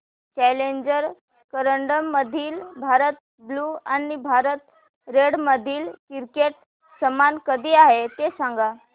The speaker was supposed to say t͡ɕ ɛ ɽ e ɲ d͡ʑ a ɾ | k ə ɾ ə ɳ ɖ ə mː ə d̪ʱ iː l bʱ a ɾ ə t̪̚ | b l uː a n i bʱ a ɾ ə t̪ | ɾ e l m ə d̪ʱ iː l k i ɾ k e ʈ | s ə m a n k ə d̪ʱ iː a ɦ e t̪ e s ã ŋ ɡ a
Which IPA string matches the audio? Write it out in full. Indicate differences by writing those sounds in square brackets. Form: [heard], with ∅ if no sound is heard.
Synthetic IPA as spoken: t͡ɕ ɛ [l] e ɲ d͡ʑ [ə] ɾ | k ə ɾ ə ɳ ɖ ə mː ə d̪ʱ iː l bʱ a ɾ ə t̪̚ | b l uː a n i bʱ a ɾ ə t̪ | ɾ e [ɽ] m ə d̪ʱ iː l k i ɾ k e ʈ | s ə m a n k ə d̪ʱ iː a ɦ e t̪ e s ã ŋ ɡ a